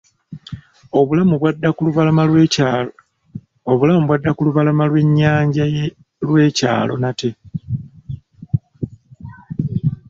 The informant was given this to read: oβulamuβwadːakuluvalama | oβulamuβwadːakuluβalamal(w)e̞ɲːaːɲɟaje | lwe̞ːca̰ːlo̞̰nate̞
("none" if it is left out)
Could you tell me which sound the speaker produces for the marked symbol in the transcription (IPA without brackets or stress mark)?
w